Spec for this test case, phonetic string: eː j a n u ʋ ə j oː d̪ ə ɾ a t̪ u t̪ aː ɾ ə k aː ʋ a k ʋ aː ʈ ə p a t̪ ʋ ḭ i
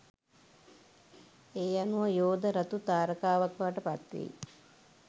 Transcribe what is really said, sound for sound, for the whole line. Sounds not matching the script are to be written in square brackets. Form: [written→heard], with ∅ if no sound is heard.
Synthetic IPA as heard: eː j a n u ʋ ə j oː d̪ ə ɾ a t̪ u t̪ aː ɾ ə k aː ʋ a k ʋ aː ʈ ə p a t̪ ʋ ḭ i